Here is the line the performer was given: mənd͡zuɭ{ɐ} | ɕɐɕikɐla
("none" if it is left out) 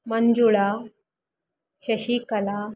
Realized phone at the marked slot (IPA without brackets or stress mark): a